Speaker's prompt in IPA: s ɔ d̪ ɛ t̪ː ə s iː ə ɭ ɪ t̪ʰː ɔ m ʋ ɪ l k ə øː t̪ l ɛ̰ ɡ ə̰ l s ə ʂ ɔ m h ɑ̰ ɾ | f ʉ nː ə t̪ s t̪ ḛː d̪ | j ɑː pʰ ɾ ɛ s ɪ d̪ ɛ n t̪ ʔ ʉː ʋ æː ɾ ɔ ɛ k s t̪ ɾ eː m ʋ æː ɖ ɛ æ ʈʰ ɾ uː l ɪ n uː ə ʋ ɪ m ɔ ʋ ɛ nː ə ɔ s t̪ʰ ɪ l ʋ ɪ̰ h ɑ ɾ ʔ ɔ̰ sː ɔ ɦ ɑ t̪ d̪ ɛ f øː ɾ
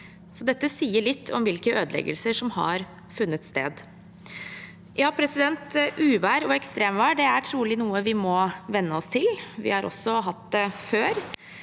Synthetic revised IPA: s ɔ d̪ ɛ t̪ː ə s iː ə ɭ ɪ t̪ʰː ɔ m ʋ ɪ l k ə øː d̪ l ɛ̰ ɡ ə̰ l s ə ʂ ɔ m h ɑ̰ ɾ | f ʉ nː ə t̪ s t̪ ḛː d̪ | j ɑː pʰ ɾ ɛ s ɪ d̪ ɛ n t̪ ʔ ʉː ʋ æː ɾ ɔ ɛ k s t̪ ɾ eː m ʋ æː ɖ ɛ æ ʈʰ ɾ uː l ɪ n uː ə ʋ ɪ m ɔ ʋ ɛ nː ə ɔ s t̪ʰ ɪ l ʋ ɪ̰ h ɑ ɾ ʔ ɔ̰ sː ɔ ɦ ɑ t̪ d̪ ɛ f øː ɾ